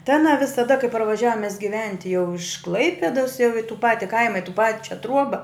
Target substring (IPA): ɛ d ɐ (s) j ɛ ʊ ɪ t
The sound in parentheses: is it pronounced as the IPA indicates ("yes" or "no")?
yes